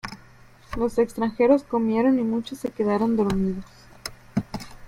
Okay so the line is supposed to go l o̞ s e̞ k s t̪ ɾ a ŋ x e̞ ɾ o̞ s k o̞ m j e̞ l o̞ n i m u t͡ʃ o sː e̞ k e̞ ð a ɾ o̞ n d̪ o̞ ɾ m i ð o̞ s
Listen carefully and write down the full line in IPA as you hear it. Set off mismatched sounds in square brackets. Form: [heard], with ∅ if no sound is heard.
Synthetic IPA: l o̞ s e̞ k s t̪ ɾ a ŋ x e̞ ɾ o̞ s k o̞ m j e̞ [ɾ] o̞ n i m u t͡ʃ o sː e̞ k e̞ ð a ɾ o̞ n d̪ o̞ ɾ m i ð o̞ s